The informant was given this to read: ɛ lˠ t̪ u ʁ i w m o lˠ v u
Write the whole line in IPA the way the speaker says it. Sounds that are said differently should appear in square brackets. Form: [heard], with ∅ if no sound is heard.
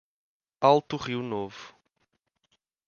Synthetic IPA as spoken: [a] lˠ t̪ u ʁ i w [n] o [∅] v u